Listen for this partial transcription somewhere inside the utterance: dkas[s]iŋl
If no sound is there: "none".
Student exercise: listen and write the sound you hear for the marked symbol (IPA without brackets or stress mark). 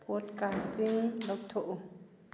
t